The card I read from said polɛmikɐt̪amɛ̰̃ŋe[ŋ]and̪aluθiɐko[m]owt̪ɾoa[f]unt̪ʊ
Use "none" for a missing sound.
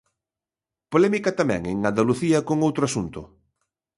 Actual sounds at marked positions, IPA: ŋ, ŋ, s

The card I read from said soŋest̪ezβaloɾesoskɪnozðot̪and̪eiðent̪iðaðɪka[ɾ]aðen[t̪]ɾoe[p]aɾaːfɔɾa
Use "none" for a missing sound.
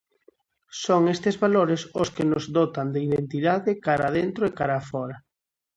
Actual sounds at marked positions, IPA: ɾ, t̪, k

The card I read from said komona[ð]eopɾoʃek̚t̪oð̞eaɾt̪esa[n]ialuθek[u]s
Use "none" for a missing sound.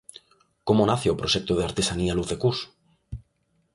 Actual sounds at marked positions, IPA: θ, n, u

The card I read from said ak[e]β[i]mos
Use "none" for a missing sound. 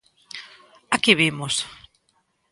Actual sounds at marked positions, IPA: i, i

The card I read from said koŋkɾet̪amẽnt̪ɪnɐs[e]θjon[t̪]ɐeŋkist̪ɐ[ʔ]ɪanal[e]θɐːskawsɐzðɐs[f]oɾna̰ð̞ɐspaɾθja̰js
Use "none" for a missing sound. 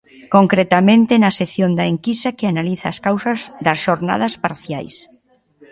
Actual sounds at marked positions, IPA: e, d̪, k, i, ʃ

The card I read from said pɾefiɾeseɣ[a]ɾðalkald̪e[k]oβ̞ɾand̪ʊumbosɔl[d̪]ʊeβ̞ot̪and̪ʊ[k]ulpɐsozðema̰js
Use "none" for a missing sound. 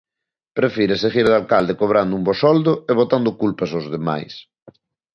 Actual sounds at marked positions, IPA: i, k, d̪, k

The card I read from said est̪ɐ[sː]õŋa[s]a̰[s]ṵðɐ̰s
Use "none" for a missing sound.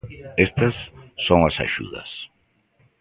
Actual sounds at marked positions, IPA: sː, s, ʃ

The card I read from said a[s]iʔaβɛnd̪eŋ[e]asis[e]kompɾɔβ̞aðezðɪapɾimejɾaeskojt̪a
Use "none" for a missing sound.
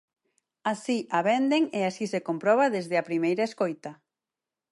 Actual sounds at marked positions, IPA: s, e, e

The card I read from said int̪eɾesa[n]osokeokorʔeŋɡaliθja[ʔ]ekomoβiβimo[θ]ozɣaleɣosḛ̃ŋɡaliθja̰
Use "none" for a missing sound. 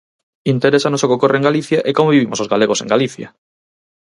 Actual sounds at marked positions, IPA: n, ʔ, s

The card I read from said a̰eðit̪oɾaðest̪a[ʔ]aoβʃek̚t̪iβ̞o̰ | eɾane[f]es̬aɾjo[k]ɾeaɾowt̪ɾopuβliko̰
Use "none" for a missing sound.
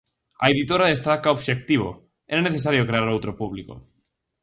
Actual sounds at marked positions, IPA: k, θ, k

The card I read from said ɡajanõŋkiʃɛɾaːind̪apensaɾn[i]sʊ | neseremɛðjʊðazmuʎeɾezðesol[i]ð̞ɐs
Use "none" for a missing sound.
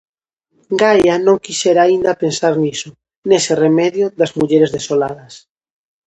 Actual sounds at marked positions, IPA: i, a

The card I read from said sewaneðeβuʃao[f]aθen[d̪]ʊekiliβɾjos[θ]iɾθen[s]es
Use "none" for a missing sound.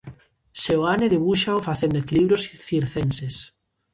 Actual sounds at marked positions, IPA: f, d̪, θ, s

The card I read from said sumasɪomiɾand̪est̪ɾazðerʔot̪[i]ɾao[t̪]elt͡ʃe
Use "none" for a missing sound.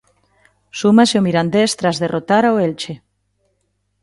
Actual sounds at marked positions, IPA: a, none

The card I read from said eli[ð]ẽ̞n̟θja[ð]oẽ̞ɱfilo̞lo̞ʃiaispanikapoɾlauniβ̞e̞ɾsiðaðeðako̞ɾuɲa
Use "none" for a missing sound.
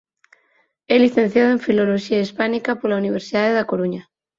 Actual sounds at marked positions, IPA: θ, ð

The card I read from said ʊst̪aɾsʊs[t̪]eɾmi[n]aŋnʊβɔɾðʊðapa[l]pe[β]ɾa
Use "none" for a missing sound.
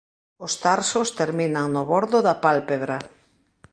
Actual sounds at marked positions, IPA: t̪, n, l, β

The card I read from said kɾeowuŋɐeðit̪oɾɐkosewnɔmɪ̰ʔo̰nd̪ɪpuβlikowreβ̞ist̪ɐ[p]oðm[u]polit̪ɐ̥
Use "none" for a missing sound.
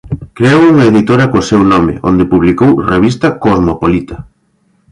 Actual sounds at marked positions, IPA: k, o

